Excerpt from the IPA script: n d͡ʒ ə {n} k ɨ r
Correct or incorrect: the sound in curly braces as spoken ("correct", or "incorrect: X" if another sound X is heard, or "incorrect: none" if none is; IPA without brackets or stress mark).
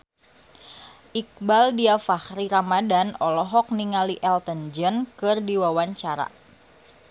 correct